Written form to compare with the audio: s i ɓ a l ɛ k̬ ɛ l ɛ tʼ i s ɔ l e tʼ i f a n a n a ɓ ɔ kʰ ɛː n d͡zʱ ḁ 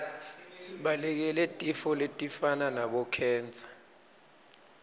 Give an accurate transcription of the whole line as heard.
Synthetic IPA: s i ɓ a l ɛ k̬ ɛ l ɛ tʼ i f ɔ l e tʼ i f a n a n a ɓ ɔ kʰ ɛː n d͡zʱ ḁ